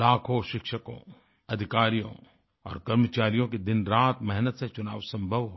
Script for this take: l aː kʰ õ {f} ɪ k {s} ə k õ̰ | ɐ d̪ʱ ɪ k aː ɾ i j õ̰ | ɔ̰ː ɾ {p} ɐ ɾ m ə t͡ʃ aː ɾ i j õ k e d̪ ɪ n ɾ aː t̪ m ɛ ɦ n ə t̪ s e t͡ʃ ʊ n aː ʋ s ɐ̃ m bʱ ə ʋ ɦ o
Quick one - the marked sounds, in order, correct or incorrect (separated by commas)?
incorrect, incorrect, incorrect